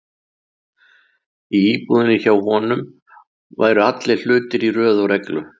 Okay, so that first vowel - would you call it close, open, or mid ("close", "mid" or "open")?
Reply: close